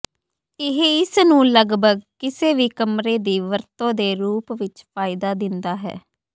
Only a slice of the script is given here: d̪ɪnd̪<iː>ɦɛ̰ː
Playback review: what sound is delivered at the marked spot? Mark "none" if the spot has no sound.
aː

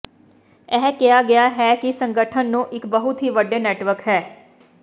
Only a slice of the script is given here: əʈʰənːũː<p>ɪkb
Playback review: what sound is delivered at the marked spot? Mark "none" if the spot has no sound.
ʔ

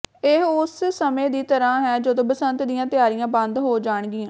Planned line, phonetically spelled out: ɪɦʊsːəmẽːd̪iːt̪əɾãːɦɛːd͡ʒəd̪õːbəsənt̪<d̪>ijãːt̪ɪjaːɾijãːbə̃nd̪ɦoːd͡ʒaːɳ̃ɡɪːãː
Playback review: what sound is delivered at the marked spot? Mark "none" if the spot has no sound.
d̪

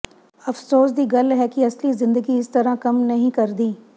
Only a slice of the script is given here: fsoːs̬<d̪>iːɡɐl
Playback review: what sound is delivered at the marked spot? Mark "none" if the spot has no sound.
d̪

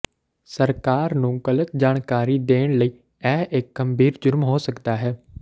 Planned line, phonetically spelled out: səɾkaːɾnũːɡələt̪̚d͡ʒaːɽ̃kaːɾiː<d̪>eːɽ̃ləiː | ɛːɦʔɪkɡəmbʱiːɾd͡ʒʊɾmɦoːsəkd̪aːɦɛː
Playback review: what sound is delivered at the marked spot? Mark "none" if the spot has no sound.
d̪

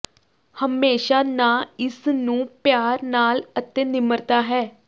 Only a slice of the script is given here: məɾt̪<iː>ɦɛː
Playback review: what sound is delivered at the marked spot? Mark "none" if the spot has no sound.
aː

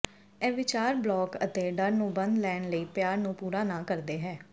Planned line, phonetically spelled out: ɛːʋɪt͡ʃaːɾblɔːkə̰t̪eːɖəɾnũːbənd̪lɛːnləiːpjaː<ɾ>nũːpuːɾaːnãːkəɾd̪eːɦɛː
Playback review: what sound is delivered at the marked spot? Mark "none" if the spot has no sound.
ɾ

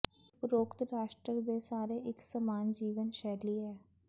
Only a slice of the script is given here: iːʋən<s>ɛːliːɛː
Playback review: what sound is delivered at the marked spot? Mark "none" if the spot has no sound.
ʃ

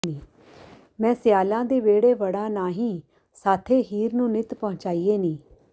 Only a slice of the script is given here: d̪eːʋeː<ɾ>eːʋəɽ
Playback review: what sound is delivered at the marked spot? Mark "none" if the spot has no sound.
ɽ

